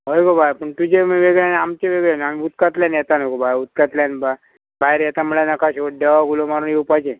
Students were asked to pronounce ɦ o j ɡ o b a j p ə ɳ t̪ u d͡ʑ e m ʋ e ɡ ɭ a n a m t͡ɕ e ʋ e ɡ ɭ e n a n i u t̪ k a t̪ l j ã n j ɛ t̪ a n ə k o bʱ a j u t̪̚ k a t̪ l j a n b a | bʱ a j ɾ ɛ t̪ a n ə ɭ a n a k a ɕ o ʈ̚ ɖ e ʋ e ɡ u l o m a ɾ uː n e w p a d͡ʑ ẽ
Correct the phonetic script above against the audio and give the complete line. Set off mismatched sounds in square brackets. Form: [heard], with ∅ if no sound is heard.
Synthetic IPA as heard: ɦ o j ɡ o b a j p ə ɳ t̪ u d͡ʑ e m ʋ e ɡ ɭ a n a m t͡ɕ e ʋ e ɡ ɭ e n a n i u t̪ k a t̪ l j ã n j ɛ t̪ a n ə k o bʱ a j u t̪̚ k a t̪ l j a n b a | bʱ a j ɾ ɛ t̪ a [m] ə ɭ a n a k a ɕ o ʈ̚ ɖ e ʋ [a] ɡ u l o m a ɾ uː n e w p a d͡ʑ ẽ